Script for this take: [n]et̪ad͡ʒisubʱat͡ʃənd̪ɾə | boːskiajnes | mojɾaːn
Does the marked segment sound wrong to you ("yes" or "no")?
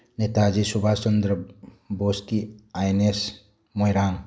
no